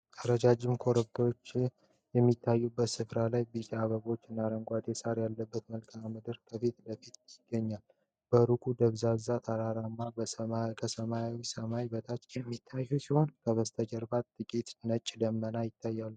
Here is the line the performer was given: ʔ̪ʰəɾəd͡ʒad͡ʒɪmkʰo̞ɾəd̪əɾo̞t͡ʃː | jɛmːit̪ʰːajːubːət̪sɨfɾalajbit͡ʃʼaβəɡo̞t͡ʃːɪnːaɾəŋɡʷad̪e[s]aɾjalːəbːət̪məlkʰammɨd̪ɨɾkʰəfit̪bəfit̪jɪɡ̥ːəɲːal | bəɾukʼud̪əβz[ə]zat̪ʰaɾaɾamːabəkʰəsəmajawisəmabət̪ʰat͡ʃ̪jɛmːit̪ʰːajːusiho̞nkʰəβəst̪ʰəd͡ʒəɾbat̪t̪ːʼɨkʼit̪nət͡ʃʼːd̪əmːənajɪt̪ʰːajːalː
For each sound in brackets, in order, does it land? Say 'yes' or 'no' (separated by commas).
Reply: yes, no